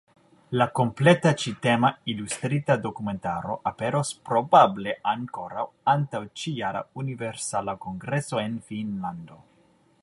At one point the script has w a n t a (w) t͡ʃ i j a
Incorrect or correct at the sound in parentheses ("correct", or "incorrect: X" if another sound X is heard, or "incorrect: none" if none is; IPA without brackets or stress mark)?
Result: correct